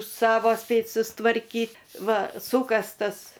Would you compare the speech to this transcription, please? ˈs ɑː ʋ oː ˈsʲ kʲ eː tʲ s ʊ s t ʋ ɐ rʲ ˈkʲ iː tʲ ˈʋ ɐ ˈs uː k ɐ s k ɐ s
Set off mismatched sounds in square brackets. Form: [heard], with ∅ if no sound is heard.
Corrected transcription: ˈs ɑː ʋ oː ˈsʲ [pʲ] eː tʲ s ʊ s t ʋ ɐ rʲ ˈkʲ iː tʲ ˈʋ ɐ ˈs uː k ɐ s [t] ɐ s